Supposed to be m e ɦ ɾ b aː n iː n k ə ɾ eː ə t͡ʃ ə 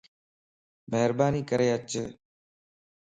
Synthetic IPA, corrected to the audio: m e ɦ ɾ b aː n iː k ə ɾ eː ə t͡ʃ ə